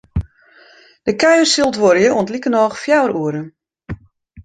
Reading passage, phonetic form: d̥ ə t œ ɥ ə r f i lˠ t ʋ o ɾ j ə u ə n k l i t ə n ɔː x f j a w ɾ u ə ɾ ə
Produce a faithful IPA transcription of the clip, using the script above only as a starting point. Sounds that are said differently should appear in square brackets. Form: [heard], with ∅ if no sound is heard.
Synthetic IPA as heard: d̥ ə [k] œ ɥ ə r [s] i lˠ t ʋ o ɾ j ə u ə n [t] l i [k] ə n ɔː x f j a w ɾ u ə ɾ ə